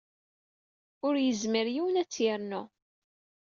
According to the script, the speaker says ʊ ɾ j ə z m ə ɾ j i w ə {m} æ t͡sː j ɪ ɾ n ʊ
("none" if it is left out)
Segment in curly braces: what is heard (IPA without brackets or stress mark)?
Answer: n